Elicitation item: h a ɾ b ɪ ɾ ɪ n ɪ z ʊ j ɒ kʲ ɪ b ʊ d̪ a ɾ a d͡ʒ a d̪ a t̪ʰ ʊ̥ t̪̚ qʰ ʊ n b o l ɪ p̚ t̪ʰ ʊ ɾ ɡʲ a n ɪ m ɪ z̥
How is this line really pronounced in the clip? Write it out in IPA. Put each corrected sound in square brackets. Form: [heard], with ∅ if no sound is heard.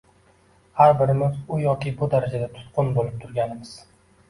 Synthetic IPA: h a ɾ b ɪ ɾ ɪ [m] ɪ z ʊ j ɒ kʲ ɪ b ʊ d̪ a ɾ a d͡ʒ a d̪ a t̪ʰ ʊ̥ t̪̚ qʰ ʊ n b o l ɪ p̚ t̪ʰ ʊ ɾ ɡʲ a n ɪ m ɪ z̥